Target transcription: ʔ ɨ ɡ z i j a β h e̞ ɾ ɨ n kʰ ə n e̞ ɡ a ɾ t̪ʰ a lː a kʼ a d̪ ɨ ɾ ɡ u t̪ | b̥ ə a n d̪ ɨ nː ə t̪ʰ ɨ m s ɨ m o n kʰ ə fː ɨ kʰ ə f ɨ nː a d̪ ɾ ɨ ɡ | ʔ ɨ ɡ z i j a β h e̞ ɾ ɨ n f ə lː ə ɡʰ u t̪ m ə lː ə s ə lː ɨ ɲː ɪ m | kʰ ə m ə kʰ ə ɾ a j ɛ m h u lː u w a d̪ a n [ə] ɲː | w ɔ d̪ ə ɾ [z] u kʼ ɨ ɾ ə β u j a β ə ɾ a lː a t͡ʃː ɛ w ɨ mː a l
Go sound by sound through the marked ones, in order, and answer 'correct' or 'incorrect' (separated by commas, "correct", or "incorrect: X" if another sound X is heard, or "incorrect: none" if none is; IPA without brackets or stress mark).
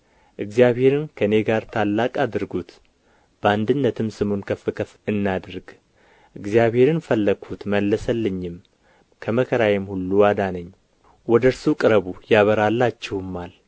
correct, incorrect: s